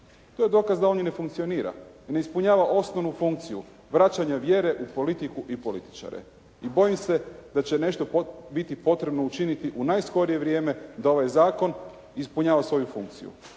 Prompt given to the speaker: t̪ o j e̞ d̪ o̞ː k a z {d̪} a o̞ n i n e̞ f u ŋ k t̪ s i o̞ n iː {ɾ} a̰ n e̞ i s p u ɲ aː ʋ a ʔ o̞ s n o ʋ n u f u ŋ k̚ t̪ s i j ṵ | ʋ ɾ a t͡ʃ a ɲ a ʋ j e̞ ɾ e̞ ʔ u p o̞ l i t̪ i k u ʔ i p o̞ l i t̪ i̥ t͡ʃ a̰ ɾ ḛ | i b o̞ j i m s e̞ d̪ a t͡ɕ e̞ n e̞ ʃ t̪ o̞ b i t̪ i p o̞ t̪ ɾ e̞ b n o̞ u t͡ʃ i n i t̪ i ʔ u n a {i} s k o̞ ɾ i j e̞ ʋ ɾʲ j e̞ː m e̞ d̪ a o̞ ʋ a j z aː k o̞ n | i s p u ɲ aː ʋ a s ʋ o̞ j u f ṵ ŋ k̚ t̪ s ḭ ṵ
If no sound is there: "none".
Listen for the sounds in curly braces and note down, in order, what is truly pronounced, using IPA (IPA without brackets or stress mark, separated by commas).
d̪, ɾ, j